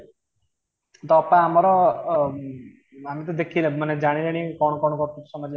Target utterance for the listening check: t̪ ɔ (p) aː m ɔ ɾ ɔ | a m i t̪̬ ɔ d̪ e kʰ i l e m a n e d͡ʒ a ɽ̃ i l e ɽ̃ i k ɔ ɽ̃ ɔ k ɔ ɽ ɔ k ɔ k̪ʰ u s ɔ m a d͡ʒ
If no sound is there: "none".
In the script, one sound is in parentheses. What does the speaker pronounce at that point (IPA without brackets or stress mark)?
p